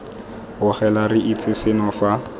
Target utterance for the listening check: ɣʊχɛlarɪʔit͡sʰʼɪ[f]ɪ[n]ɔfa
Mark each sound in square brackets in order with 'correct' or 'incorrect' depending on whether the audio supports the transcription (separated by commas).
incorrect, correct